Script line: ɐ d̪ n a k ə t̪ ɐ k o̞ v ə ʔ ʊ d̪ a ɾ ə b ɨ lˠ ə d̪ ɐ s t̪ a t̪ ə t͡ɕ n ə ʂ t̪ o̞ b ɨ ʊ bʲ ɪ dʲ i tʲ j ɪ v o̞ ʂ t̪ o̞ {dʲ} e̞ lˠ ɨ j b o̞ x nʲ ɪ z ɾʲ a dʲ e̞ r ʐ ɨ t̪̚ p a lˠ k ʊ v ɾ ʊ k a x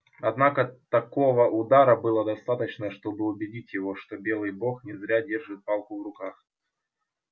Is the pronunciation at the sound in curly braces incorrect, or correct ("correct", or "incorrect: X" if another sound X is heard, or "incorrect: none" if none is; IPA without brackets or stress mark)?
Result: incorrect: bʲ